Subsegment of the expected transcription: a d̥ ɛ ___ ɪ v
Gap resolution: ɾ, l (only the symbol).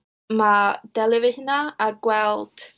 l